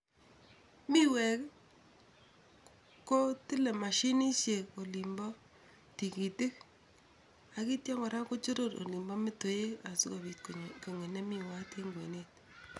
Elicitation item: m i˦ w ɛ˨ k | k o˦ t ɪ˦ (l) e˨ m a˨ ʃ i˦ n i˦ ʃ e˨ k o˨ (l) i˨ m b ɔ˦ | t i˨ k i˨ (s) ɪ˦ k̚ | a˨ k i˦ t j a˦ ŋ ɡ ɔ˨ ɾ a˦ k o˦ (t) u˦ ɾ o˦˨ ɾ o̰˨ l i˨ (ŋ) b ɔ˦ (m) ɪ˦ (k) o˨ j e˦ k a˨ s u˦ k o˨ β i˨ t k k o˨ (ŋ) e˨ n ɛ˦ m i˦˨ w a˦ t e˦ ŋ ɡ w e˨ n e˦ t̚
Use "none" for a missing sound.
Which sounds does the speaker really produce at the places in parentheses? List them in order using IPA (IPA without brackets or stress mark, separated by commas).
l, l, t, t͡ʃ, m, m, t, ŋ